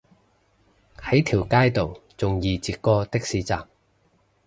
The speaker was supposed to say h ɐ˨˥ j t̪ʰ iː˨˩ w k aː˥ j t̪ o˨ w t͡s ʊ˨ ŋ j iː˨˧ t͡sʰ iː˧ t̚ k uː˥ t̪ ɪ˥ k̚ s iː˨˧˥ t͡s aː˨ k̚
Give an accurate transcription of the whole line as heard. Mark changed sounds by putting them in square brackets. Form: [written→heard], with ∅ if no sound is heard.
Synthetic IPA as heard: h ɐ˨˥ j t̪ʰ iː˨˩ w k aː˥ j t̪ o˨ w t͡s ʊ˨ ŋ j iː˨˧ [t͡sʰ→t͡s] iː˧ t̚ k [uː˥→ɔː˥] t̪ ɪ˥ k̚ s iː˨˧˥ t͡s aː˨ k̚

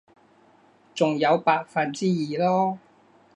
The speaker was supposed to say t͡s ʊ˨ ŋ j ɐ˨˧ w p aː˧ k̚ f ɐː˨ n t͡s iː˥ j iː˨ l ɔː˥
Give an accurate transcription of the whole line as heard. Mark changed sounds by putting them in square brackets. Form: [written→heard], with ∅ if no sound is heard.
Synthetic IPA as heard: t͡s ʊ˨ ŋ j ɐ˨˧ w p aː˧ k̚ f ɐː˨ n t͡s iː˥ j iː˨ l ɔː˥

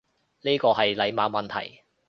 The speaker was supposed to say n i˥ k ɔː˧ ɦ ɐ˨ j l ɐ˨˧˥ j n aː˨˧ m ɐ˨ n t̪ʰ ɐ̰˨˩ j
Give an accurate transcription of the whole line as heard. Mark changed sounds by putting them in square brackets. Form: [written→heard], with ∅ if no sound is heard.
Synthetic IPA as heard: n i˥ k ɔː˧ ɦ ɐ˨ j l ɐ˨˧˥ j [n→m] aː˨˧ m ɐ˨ n t̪ʰ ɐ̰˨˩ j

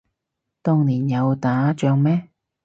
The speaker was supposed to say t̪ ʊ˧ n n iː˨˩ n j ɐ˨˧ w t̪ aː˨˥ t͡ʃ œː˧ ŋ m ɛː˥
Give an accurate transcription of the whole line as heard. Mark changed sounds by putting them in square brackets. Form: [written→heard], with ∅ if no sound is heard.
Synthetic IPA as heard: t̪ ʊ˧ [n→ŋ] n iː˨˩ n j ɐ˨˧ w t̪ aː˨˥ t͡ʃ œː˧ ŋ m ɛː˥

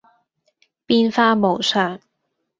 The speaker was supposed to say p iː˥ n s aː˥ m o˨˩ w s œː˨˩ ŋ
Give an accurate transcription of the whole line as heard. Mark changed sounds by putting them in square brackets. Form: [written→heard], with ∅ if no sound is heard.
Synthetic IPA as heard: p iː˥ n [s→f] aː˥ m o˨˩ w s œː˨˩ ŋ

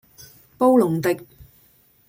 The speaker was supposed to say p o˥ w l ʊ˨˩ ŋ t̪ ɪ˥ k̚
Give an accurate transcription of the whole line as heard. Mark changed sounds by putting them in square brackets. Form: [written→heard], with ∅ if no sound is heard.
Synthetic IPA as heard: p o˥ w l ʊ˨˩ ŋ t̪ [ɪ˥→ɪ˨] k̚

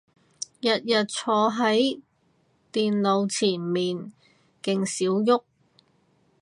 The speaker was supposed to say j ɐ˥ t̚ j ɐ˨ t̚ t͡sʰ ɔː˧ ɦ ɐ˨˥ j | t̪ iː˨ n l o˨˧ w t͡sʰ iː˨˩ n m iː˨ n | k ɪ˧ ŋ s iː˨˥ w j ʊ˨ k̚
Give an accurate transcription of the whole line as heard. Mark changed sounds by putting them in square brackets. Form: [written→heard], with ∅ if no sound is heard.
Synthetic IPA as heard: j [ɐ˥→ɐ˨] t̚ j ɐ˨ t̚ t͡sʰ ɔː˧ ɦ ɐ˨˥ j | t̪ iː˨ n l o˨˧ w t͡sʰ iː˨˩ n m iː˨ n | k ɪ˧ ŋ s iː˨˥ w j [ʊ˨→ʊ˥] k̚

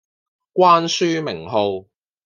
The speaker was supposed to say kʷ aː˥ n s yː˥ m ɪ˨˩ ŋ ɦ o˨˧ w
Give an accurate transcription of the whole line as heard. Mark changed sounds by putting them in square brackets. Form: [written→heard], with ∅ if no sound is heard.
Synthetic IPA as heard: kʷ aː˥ n s yː˥ m ɪ˨˩ ŋ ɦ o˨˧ w

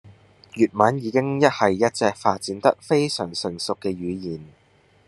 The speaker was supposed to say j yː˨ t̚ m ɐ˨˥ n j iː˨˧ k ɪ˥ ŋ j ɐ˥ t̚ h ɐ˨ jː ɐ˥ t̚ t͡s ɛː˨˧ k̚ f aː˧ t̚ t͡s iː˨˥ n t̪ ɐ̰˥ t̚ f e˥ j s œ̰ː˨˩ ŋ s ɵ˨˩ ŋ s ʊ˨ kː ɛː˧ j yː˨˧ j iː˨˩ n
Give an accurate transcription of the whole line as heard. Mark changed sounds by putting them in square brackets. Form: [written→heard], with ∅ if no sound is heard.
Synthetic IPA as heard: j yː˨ t̚ m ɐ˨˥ n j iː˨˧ k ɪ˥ ŋ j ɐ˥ t̚ h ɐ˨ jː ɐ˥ t̚ t͡s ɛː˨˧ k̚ f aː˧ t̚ t͡s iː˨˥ n t̪ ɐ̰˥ [t̚→k̚] f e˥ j s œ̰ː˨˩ ŋ s ɵ˨˩ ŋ s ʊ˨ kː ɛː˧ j yː˨˧ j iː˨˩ n

